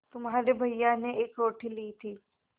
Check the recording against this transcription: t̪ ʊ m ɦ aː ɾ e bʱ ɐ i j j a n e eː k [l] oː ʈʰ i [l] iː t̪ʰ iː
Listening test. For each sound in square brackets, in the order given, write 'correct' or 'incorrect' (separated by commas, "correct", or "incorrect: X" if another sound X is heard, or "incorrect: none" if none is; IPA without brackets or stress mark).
incorrect: ɾ, correct